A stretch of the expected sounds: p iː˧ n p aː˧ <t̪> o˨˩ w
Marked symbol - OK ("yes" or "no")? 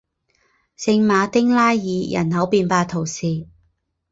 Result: no